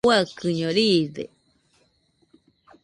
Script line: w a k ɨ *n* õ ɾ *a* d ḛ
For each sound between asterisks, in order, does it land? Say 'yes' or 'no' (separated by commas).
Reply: no, no